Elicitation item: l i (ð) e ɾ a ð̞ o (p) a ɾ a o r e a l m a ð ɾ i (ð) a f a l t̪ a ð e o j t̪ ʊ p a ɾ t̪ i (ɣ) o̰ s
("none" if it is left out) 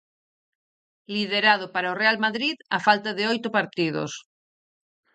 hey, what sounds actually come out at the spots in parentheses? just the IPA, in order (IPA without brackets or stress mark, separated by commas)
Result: ð, p, ð, ð